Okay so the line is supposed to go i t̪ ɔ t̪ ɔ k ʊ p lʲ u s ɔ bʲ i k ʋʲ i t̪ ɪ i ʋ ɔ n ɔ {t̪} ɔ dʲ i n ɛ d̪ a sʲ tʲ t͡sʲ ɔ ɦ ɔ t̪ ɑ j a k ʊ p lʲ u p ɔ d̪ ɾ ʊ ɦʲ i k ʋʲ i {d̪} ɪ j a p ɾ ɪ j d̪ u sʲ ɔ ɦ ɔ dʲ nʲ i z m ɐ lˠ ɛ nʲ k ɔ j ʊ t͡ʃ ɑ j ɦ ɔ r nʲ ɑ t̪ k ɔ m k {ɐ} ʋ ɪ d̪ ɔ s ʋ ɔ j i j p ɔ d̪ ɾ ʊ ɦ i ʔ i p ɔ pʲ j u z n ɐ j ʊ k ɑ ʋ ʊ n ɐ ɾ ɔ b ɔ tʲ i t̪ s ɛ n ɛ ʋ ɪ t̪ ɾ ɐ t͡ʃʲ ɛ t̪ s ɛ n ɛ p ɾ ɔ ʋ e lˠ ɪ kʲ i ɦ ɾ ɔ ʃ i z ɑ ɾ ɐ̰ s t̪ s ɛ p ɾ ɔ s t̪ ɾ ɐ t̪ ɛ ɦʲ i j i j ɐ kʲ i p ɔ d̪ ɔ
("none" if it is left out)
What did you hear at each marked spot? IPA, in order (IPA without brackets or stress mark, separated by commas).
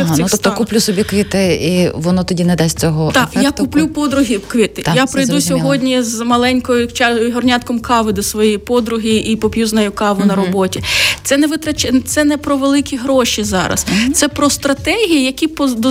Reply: t̪, t̪, ɑ